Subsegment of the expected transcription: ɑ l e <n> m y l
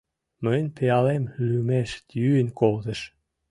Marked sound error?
yes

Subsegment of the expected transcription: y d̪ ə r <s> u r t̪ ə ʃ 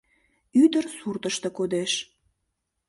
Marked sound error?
no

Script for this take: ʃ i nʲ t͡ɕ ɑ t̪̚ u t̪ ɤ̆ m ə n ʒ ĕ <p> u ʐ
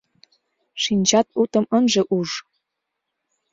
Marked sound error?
yes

